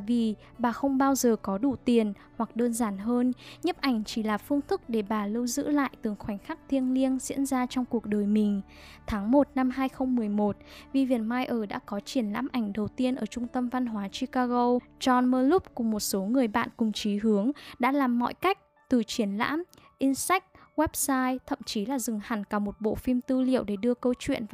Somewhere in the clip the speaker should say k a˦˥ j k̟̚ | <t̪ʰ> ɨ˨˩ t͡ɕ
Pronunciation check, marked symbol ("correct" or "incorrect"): incorrect